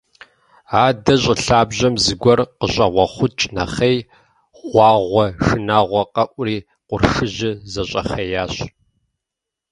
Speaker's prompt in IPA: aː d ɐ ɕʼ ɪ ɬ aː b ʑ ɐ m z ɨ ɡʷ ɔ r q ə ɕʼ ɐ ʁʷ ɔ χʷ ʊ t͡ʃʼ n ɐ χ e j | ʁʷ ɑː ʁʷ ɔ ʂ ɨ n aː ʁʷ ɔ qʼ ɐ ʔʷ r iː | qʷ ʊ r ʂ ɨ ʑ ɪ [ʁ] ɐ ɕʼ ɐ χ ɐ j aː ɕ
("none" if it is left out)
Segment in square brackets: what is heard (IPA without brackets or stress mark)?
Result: z